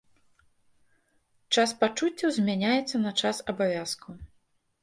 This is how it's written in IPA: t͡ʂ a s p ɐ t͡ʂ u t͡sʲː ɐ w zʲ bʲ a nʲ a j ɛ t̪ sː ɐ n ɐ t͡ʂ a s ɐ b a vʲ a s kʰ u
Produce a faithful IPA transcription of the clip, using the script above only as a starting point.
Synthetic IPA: t͡ʂ a s p a t͡ʂ u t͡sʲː ɐ w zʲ mʲ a nʲ a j ɛ t̪ sː ɐ n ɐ t͡ʂ a s ɐ b a vʲ a s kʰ u